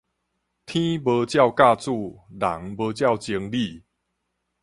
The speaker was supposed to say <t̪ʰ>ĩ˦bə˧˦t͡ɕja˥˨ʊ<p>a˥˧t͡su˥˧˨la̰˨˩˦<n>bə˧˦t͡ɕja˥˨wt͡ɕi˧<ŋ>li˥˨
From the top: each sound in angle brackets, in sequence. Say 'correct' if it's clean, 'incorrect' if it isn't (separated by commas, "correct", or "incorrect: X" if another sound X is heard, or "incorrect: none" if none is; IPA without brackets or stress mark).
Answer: correct, incorrect: k, incorrect: ŋ, correct